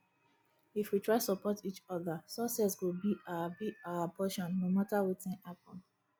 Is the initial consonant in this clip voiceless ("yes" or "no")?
yes